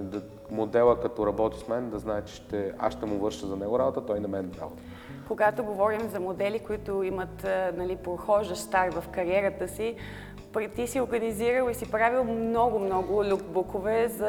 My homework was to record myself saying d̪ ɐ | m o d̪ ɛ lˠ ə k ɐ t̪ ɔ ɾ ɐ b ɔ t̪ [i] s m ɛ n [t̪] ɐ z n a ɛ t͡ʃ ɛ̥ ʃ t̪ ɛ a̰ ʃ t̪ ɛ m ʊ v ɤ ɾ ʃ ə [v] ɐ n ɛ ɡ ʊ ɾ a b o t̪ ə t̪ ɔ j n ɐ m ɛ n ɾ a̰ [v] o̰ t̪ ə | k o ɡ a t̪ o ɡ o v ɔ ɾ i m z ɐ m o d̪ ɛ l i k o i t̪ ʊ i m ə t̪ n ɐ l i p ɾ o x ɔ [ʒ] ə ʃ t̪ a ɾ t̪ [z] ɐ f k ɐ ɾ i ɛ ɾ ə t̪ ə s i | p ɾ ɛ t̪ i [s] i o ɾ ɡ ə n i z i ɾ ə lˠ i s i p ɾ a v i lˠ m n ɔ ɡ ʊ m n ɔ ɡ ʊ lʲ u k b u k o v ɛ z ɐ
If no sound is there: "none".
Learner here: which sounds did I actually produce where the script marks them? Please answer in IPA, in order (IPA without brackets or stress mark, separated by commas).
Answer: i, d̪, z, b, ʒ, v, s